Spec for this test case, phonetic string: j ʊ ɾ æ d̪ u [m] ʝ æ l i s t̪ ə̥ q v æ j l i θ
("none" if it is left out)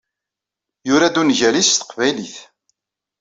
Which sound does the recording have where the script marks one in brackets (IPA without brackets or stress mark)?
n